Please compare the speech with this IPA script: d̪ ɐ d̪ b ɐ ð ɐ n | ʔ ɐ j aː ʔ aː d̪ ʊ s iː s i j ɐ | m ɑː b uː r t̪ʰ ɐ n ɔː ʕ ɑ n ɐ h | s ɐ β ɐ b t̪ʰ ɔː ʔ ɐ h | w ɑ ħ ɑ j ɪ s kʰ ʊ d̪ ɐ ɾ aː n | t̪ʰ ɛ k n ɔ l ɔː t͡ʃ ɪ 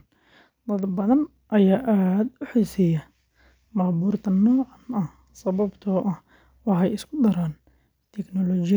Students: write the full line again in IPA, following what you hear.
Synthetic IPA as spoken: d̪ ɐ d̪ b ɐ ð ɐ n | ʔ ɐ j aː ʔ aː d̪ ʊ ħ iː s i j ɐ | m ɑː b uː r t̪ʰ ɐ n ɔː ʕ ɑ n ɐ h | s ɐ β ɐ b t̪ʰ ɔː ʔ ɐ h | w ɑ ħ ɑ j ɪ s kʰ ʊ d̪ ɐ ɾ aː n | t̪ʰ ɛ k n ɔ l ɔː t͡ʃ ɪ